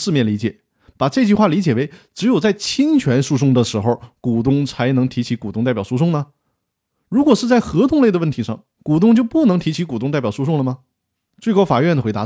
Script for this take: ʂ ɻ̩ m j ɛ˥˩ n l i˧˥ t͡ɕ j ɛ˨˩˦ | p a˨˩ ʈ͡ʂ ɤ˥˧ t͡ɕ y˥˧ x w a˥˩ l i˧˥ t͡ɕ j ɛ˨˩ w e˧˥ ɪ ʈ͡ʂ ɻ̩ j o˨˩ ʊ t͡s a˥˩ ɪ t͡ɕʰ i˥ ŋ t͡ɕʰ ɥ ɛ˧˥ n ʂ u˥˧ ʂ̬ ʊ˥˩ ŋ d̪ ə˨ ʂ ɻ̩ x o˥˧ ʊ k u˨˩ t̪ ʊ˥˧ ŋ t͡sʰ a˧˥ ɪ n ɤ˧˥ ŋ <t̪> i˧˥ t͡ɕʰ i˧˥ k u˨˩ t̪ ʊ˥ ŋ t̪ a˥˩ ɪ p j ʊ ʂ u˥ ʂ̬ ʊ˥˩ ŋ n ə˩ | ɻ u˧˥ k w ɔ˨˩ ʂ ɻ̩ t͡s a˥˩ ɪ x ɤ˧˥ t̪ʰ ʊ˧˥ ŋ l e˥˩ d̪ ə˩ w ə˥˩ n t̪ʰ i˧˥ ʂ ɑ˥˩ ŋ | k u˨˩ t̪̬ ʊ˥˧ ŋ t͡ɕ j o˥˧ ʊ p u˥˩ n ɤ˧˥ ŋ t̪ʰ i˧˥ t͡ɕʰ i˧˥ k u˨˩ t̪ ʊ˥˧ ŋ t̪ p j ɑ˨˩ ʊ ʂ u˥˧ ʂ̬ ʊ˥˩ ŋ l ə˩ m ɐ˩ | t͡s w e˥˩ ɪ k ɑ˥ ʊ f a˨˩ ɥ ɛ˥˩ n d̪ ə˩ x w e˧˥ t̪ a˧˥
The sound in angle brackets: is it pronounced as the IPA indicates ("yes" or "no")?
no